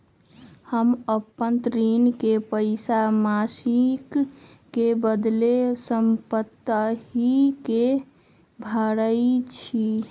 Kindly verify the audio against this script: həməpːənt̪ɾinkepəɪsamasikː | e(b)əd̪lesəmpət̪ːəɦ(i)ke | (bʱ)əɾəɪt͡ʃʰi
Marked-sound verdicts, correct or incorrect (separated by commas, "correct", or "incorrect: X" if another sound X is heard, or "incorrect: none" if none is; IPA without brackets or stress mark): correct, correct, correct